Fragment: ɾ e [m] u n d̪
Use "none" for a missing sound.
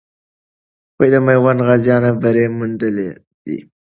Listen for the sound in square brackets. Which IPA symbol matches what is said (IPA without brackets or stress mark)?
m